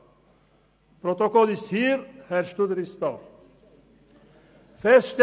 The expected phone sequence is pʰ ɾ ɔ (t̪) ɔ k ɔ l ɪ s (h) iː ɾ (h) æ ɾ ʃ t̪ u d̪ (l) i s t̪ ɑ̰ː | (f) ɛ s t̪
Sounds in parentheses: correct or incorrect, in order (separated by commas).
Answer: correct, correct, correct, incorrect, correct